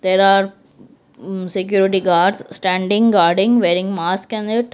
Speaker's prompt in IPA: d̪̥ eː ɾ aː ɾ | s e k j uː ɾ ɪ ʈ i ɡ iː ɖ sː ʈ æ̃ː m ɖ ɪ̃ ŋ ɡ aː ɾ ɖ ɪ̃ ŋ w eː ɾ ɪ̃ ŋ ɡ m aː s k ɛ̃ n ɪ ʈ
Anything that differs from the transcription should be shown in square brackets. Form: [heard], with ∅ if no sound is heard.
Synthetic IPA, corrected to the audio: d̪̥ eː ɾ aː ɾ | s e k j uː ɾ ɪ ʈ i ɡ [aː] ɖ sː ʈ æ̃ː [ɳ] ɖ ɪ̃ ŋ ɡ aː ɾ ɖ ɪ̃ ŋ [ʋ] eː ɾ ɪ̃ ŋ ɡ m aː s k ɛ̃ n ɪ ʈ